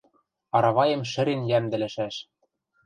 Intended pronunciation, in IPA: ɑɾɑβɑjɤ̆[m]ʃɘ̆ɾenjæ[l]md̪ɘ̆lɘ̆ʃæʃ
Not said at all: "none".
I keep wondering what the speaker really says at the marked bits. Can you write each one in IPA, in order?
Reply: m, none

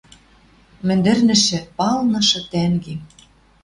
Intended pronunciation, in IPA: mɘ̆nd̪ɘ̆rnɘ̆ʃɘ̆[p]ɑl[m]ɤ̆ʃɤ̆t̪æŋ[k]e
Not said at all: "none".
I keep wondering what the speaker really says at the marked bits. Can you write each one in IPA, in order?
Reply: p, n, ɡ

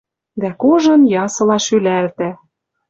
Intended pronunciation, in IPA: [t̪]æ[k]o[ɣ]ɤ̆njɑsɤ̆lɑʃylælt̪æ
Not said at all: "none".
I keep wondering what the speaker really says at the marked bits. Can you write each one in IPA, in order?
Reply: d̪, k, ʒ

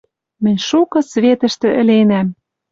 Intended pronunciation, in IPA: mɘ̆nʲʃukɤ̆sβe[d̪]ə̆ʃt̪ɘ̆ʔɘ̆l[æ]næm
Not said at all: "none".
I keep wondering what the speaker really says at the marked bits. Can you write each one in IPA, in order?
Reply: t̪, e

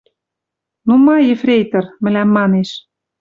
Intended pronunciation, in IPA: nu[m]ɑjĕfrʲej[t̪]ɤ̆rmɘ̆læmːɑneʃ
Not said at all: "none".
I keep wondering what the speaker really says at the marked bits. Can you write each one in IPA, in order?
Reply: m, t̪

